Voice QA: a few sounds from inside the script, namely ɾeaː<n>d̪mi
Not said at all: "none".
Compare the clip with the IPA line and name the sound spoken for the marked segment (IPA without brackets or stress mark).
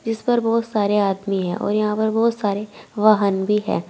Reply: none